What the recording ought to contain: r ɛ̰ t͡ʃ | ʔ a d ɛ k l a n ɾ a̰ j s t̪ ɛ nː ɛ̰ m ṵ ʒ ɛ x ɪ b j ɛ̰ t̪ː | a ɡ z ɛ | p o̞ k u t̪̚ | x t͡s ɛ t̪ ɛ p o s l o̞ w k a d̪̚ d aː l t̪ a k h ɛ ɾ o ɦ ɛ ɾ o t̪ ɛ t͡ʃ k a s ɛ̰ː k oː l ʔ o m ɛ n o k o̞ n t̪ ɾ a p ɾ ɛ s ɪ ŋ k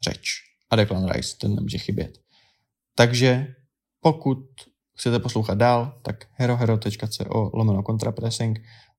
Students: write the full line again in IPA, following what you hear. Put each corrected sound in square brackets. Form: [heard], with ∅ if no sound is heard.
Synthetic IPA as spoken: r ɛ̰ t͡ʃ | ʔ a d ɛ k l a n ɾ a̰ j s t̪ ɛ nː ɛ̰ m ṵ ʒ ɛ x ɪ b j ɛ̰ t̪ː | a ɡ [ʒ] ɛ | p o̞ k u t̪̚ | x t͡s ɛ t̪ ɛ p o s l o̞ w [x] a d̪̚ d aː l t̪ a k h ɛ ɾ o ɦ ɛ ɾ o t̪ ɛ t͡ʃ k a [t͡s] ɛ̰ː [ʔ] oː l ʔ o m ɛ n o k o̞ n t̪ ɾ a p ɾ ɛ s ɪ ŋ k